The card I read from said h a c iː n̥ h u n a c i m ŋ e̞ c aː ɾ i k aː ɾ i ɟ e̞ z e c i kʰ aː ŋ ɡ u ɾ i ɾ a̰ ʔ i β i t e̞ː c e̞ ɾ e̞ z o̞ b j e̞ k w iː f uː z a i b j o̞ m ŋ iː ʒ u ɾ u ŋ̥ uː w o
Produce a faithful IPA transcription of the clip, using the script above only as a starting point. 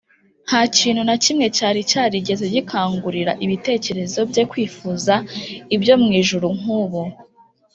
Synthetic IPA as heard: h a c iː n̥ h u n a c i m ŋ e̞ c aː ɾ i c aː ɾ i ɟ e̞ z e ɟ i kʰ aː ŋ ɡ u ɾ i ɾ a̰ ʔ i β i t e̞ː c e̞ ɾ e̞ z o̞ b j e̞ k w iː f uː z a i b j o̞ m ŋ iː ʒ u ɾ u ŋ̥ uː β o